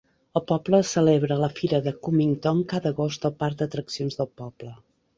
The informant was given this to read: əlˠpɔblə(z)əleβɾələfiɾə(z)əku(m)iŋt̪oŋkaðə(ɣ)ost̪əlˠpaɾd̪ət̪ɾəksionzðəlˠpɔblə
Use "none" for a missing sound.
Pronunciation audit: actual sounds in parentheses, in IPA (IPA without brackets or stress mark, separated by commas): s, ð, m, ɣ